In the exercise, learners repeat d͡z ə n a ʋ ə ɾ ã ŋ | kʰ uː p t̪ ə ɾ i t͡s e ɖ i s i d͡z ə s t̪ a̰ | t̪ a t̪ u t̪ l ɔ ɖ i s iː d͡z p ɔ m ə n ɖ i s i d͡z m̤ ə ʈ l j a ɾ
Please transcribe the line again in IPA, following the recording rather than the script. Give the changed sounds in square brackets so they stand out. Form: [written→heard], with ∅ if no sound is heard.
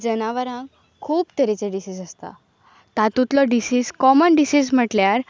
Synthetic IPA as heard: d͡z ə n a ʋ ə ɾ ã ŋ | kʰ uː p t̪ ə ɾ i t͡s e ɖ i s i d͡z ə s t̪ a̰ | t̪ a t̪ u t̪ l ɔ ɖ i s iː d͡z [p→k] ɔ m ə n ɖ i s i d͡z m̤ ə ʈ l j a ɾ